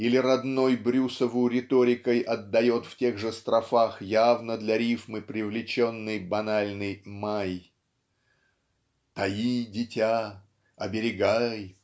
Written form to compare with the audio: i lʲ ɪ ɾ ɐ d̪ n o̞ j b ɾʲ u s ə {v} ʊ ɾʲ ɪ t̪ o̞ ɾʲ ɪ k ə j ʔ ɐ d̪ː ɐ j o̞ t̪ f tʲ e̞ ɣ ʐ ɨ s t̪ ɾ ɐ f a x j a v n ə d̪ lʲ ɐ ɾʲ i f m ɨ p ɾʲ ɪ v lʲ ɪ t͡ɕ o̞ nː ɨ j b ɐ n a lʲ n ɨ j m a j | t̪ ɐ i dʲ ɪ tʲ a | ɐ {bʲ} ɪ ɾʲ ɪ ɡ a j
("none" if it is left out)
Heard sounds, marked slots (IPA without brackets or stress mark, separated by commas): v, bʲ